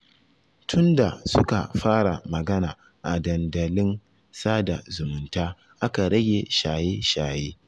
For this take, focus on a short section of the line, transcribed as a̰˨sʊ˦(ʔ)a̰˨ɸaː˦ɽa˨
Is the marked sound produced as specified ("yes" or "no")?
no